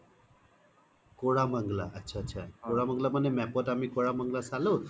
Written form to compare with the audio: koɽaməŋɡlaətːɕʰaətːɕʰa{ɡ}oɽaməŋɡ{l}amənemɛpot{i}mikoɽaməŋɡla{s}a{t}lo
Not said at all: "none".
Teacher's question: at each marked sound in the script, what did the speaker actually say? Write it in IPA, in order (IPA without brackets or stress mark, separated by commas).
k, l, a, s, none